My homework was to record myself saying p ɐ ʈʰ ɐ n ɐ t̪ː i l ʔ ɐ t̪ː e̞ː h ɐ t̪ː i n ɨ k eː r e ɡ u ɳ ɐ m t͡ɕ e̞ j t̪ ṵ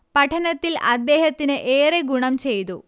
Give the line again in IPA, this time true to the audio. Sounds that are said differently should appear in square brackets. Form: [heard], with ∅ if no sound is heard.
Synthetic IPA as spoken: p ɐ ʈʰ ɐ n ɐ t̪ː i l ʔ ɐ [d̪ː] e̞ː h ɐ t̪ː i n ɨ [ʔ] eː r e ɡ u ɳ ɐ m t͡ɕ e̞ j t̪ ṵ